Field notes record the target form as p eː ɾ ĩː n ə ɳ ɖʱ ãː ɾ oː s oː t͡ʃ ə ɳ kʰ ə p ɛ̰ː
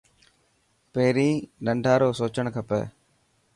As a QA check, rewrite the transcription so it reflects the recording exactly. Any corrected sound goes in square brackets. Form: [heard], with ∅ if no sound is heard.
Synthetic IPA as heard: p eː ɾ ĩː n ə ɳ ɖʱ [aː] ɾ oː s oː t͡ʃ ə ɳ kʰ ə p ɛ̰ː